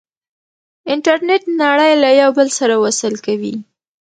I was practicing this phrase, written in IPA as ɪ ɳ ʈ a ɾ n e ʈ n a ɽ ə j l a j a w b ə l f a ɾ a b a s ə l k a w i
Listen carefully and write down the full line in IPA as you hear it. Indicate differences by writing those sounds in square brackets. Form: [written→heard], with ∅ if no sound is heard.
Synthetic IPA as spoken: ɪ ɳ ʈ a ɾ n e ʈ n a ɽ ə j l a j a w b ə l [f→s] a ɾ a [b→w] a s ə l k a w i